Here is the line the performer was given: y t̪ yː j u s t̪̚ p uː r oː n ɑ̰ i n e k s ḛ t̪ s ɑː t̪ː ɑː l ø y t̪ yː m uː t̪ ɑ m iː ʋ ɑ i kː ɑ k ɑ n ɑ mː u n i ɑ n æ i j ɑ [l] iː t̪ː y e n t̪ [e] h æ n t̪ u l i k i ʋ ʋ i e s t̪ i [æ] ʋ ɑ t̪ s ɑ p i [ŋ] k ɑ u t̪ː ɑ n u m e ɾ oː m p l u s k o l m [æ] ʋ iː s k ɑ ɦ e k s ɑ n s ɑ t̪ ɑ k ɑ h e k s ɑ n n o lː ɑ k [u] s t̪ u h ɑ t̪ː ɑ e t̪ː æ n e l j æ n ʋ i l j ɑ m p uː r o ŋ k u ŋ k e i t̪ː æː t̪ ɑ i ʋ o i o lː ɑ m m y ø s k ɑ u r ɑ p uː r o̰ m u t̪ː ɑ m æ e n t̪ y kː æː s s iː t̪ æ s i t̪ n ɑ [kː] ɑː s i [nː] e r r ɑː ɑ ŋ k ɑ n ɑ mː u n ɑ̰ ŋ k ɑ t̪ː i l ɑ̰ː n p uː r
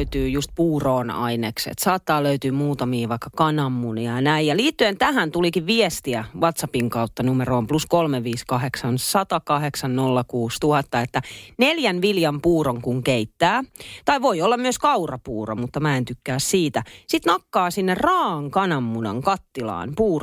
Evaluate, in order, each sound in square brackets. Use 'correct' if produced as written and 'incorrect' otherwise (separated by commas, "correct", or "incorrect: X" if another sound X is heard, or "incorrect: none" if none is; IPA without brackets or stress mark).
correct, incorrect: æ, correct, correct, incorrect: e, incorrect: uː, correct, correct